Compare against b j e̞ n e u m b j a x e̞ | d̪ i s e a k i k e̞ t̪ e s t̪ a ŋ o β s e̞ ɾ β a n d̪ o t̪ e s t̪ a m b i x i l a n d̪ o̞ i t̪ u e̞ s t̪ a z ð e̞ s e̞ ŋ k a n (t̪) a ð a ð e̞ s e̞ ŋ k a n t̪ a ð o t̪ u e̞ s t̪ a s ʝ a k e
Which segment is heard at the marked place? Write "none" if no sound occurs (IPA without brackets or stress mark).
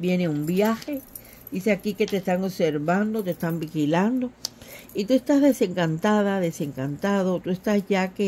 t̪